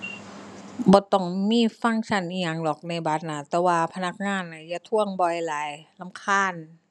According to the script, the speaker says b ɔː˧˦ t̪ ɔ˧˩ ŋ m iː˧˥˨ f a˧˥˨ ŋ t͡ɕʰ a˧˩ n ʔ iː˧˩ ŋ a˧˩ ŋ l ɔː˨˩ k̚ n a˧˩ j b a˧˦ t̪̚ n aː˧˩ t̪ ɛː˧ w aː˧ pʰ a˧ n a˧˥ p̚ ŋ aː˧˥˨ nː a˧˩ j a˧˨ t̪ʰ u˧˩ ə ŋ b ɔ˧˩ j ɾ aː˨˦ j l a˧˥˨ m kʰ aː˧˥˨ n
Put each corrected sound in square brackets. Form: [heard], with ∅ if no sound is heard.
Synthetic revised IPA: b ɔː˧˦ t̪ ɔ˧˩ ŋ m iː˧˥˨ f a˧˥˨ ŋ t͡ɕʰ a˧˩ n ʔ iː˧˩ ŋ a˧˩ ŋ l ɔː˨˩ k̚ n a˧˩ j b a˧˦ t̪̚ n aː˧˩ t̪ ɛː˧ w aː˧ pʰ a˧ n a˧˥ [k̚] ŋ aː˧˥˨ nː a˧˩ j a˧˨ t̪ʰ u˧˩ ə ŋ b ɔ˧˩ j [l] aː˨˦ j l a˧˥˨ m kʰ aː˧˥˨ n